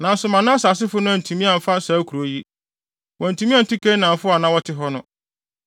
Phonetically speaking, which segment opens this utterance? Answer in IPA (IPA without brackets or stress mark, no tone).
n